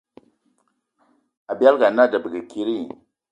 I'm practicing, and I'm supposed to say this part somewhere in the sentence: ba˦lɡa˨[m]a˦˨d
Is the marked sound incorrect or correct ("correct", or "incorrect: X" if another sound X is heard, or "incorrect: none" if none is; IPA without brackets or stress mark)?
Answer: incorrect: n